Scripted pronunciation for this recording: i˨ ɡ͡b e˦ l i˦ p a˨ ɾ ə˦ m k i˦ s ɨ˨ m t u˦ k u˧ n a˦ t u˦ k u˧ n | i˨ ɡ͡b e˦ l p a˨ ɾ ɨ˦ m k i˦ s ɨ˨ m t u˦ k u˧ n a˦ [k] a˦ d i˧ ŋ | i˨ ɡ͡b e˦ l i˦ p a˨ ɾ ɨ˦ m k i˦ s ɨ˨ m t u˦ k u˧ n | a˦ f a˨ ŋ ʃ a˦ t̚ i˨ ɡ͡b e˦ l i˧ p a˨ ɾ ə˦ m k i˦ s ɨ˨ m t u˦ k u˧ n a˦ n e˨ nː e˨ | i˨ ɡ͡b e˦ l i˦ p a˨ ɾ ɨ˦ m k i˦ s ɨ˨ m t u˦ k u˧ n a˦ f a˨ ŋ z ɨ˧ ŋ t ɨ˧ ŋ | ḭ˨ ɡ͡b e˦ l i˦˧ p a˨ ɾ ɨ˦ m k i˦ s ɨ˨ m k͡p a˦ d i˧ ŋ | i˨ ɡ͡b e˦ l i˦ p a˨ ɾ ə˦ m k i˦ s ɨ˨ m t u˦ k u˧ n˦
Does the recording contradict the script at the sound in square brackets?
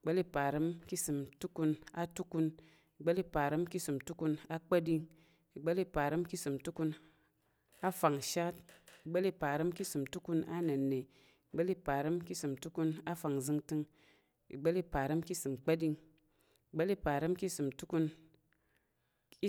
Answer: yes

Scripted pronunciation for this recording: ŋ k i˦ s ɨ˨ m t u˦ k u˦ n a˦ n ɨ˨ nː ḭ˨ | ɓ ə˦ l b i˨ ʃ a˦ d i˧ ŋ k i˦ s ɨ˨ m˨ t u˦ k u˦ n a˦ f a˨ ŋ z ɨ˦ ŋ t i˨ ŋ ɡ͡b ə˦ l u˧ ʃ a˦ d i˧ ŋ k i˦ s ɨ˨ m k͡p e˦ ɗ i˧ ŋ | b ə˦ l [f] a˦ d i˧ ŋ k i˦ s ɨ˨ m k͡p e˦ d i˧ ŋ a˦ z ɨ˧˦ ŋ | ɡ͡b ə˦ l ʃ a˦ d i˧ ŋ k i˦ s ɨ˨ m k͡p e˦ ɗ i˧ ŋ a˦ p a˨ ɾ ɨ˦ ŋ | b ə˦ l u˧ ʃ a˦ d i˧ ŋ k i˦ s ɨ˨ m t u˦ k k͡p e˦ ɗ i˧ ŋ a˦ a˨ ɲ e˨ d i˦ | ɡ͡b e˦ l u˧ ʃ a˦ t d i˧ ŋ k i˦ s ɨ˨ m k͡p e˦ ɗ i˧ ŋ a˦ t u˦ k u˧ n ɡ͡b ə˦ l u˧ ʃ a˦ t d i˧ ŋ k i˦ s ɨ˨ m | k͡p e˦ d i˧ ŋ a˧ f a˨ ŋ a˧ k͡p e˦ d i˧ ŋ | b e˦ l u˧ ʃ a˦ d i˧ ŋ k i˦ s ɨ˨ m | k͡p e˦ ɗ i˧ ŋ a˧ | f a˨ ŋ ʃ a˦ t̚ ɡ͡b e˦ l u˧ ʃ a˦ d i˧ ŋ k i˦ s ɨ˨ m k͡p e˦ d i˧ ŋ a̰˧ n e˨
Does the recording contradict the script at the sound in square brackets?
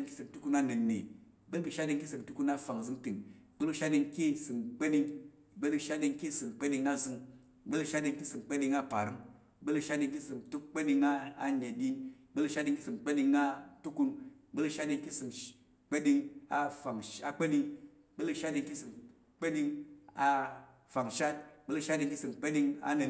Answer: yes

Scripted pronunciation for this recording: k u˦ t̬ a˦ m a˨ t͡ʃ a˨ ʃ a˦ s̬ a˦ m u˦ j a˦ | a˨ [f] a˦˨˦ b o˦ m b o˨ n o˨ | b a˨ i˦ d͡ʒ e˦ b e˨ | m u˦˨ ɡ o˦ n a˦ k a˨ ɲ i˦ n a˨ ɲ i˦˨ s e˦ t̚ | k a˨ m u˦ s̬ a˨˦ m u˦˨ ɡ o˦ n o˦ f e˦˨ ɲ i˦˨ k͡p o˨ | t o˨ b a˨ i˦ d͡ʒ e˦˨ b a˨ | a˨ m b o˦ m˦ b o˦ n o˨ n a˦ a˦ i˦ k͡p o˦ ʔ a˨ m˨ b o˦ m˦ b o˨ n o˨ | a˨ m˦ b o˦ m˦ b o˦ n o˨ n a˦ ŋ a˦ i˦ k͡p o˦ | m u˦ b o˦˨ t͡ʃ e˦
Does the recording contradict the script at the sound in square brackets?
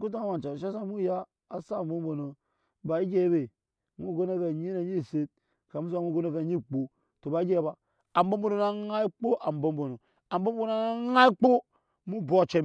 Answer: yes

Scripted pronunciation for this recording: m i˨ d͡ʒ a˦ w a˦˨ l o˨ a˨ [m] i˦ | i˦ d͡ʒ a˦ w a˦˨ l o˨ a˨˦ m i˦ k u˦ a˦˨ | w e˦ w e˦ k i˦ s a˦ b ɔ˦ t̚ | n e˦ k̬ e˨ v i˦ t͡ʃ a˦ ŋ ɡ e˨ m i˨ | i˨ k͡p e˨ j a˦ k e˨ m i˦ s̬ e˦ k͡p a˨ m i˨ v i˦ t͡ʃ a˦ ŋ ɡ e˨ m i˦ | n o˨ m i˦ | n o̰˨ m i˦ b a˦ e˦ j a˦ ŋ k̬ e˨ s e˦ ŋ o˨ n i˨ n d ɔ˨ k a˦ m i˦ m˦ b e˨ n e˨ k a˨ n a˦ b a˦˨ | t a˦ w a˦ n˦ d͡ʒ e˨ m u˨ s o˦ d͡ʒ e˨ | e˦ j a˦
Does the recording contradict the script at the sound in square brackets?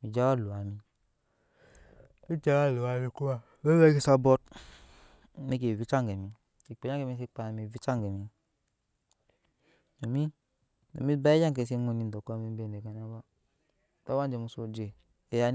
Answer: no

